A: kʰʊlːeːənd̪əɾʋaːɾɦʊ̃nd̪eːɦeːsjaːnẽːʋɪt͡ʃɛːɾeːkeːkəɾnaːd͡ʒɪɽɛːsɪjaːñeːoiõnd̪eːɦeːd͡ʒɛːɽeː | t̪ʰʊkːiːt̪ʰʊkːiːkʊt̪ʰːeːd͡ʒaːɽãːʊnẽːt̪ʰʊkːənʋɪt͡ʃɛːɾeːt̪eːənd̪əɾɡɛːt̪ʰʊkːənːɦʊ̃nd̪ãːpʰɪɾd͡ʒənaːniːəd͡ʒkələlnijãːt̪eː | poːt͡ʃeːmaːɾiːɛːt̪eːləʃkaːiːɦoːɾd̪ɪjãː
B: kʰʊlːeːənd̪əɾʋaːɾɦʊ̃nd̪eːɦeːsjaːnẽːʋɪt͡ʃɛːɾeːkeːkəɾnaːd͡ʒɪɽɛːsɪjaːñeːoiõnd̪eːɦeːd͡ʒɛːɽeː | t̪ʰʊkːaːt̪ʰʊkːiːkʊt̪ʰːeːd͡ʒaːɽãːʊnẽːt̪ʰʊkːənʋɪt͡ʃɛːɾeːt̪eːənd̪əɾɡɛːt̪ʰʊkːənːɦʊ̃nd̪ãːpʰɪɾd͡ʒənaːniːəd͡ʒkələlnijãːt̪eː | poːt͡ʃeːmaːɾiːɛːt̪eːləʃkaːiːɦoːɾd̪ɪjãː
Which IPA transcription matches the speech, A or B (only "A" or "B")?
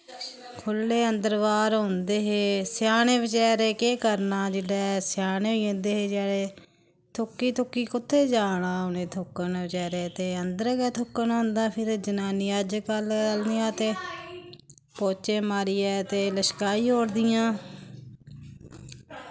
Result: A